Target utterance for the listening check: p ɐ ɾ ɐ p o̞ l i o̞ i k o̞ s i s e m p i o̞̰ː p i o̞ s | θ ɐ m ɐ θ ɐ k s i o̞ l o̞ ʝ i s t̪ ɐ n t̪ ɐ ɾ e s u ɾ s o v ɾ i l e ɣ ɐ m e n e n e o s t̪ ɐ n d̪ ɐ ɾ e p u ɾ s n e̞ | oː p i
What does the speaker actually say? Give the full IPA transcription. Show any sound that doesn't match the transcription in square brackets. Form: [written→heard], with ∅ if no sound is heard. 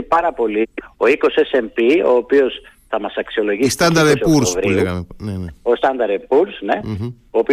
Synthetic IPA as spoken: p ɐ ɾ ɐ p o̞ l i o̞ i k o̞ s [i→e] s e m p i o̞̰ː p i o̞ s | θ ɐ m ɐ [θ→s] ɐ k s i o̞ l o̞ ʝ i s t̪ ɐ n [t̪→d̪] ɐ ɾ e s u ɾ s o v ɾ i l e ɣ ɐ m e n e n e o s t̪ ɐ n d̪ ɐ ɾ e p u ɾ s n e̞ | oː p i